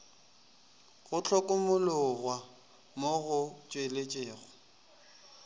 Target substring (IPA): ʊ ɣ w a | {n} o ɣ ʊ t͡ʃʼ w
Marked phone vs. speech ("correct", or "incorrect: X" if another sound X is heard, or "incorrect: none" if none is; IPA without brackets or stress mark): incorrect: m